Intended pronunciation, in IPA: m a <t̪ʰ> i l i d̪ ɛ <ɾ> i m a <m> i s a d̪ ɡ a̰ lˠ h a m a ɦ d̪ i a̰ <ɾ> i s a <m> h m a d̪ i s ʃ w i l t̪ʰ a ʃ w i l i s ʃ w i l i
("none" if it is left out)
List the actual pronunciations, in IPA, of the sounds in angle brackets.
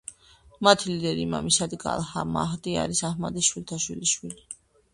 t̪ʰ, ɾ, m, ɾ, none

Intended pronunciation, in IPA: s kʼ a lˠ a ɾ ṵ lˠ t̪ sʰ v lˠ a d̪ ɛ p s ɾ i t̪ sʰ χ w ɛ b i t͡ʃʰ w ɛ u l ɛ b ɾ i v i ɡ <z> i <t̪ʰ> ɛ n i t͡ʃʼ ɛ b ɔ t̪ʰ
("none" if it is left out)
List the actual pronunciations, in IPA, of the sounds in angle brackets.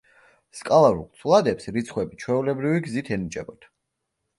z, t̪ʰ

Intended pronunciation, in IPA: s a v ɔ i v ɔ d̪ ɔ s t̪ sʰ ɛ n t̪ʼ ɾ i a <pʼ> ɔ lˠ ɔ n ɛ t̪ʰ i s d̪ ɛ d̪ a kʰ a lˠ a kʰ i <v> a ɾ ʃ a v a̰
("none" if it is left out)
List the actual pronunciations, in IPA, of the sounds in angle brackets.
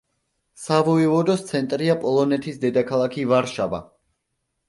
pʼ, v

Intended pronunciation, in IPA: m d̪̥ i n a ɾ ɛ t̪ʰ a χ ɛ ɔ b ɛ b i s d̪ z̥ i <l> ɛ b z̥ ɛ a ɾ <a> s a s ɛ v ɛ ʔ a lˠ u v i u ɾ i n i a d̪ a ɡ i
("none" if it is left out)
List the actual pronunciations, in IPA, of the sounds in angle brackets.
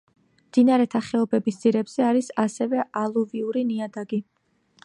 ɾ, i

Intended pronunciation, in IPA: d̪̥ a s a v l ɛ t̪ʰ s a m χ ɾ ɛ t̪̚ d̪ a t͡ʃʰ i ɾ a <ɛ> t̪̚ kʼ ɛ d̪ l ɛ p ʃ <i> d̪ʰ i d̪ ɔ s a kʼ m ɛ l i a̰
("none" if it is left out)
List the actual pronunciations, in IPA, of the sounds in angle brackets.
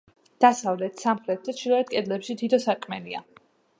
ɛ, i

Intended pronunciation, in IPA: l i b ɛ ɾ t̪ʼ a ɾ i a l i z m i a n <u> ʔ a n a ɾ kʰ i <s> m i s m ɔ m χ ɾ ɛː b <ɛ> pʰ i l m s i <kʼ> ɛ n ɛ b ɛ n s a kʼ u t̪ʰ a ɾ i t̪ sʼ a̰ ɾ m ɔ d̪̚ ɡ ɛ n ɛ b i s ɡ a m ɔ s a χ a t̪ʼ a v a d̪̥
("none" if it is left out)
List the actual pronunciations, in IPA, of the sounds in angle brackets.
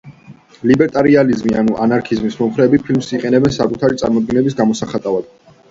u, z, i, qʼ

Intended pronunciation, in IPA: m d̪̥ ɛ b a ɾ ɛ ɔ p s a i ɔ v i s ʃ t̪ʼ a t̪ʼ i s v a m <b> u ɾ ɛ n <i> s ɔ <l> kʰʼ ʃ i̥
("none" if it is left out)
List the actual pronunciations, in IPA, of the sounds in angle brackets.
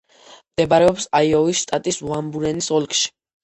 b, i, l

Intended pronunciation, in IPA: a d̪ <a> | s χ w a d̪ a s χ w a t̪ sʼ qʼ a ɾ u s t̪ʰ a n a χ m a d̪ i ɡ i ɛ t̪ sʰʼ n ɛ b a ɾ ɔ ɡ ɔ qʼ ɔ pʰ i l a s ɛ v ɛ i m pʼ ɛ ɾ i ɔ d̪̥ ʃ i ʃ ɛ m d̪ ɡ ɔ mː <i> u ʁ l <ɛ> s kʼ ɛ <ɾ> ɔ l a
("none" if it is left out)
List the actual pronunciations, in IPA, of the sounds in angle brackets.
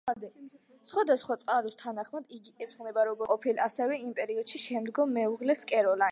ɛ, ɛ, ɛ, ɾ

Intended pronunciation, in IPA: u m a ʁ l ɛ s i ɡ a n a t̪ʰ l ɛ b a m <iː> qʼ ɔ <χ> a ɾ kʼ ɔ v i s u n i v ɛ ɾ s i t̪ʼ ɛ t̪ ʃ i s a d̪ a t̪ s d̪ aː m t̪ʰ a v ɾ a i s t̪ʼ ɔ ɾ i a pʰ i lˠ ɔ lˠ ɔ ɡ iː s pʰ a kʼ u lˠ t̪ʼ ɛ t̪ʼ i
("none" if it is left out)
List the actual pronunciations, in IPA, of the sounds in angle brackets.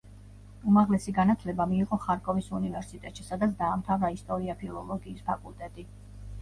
iː, χ

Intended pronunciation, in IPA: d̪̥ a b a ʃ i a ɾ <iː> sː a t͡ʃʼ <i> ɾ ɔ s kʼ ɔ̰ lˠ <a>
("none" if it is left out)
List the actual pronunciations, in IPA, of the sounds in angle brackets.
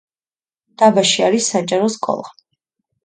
i, a, a

